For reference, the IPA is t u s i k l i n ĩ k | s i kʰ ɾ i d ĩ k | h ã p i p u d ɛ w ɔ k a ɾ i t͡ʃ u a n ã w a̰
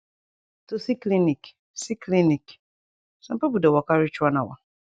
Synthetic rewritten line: t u s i k l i n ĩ k | s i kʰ l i n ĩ k | s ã p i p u d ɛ w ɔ k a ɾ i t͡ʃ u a n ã w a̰